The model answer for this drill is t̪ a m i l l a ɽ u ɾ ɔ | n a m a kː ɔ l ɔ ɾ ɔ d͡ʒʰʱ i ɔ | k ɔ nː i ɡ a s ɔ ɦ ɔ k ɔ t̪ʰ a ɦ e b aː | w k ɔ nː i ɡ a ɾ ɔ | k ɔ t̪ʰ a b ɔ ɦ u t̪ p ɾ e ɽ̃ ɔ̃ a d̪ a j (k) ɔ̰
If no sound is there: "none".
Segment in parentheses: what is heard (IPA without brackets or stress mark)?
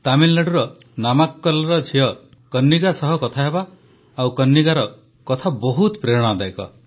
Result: k